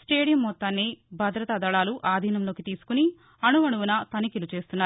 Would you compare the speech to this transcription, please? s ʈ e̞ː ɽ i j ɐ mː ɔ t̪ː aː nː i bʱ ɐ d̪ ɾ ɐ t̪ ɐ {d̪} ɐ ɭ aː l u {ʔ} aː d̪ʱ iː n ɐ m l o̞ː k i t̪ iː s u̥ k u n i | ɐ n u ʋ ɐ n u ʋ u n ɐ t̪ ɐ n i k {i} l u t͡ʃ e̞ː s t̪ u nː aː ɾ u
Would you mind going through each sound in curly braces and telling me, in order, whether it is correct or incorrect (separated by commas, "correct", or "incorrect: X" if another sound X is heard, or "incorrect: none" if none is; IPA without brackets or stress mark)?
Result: correct, correct, correct